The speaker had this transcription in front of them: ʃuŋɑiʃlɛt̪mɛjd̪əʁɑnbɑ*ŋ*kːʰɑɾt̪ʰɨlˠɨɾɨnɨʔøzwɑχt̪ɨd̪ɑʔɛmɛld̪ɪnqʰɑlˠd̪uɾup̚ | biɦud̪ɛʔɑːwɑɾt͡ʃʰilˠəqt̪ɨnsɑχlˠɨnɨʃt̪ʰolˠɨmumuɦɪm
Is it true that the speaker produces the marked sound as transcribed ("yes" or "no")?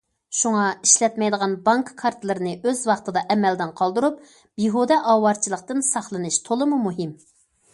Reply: yes